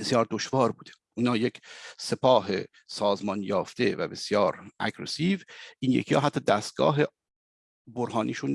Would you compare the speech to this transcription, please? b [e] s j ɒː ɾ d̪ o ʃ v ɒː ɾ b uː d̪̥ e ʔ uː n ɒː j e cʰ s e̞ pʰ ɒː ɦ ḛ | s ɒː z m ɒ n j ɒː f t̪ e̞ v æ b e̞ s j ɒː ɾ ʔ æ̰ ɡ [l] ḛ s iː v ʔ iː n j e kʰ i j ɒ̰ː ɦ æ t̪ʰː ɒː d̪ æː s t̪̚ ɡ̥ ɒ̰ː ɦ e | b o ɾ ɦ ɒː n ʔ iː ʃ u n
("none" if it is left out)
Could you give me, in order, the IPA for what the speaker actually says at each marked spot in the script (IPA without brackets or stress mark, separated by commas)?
e, ɾ